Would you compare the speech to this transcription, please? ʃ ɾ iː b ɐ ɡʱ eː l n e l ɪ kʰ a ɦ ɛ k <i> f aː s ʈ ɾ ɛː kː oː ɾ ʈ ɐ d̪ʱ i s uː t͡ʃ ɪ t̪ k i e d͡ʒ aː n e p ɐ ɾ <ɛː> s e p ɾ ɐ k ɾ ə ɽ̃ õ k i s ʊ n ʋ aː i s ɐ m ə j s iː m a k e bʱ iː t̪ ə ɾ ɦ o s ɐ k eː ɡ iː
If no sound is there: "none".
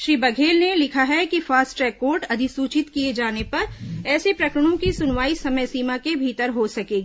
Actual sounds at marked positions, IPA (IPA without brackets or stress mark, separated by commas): i, ɛː